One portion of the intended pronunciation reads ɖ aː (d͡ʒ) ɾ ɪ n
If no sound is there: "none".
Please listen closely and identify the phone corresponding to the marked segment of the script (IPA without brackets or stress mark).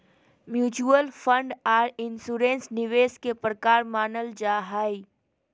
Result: none